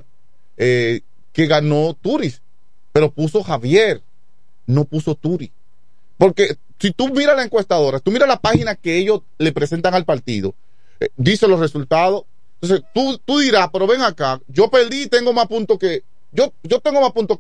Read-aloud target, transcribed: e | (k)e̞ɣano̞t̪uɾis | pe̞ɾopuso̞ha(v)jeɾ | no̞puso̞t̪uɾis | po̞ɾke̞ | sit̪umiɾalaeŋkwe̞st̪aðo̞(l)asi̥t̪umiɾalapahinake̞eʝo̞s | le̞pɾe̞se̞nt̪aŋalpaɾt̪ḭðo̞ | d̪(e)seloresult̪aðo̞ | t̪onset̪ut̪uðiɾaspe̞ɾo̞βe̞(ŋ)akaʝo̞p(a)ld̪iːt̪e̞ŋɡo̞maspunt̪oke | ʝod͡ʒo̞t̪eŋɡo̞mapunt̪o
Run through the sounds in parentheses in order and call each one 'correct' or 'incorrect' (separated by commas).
correct, incorrect, incorrect, incorrect, correct, incorrect